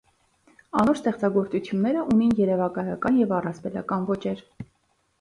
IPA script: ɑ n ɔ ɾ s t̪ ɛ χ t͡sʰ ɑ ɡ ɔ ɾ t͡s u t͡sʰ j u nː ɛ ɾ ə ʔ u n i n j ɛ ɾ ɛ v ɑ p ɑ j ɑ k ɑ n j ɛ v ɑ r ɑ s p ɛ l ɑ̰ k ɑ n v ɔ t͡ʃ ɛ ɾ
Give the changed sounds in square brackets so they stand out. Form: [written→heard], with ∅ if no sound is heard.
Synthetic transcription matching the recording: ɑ n ɔ ɾ s t̪ ɛ χ [t͡sʰ→t͡s] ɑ ɡ ɔ ɾ t͡s u t͡sʰ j u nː ɛ ɾ ə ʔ u n i n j ɛ ɾ ɛ v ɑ [p→k] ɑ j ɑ k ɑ n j ɛ v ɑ r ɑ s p ɛ l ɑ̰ k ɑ n v ɔ t͡ʃ ɛ ɾ